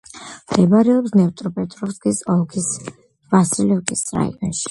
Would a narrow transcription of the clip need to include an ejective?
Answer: yes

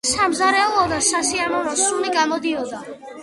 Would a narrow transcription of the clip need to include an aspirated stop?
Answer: no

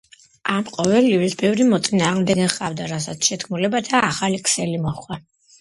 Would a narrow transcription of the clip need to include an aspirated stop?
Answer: yes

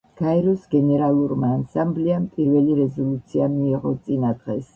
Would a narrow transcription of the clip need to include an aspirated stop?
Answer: no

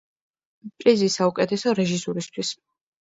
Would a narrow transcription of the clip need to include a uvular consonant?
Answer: no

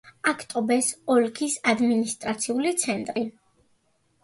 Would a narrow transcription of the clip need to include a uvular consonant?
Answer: no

